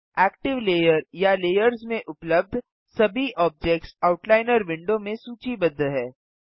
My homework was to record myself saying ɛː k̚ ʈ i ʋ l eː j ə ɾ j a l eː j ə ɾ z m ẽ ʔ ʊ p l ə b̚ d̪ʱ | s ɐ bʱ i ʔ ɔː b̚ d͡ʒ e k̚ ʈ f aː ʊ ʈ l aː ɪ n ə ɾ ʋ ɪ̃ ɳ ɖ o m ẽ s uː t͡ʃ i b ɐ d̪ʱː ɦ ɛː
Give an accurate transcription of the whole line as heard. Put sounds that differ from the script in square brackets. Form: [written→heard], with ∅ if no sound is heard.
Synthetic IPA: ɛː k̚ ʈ [i→ɪ] ʋ l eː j ə ɾ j a l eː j ə ɾ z m ẽ ʔ ʊ p l ə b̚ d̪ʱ | s ɐ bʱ i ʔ ɔː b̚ d͡ʒ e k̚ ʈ [f→s] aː ʊ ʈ l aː ɪ n ə ɾ ʋ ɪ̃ ɳ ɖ o m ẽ s uː t͡ʃ i b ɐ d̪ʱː ɦ ɛː